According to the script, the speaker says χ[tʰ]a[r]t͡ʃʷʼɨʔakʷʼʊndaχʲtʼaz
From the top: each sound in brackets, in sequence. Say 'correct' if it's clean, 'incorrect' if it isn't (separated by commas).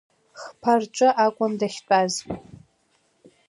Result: incorrect, correct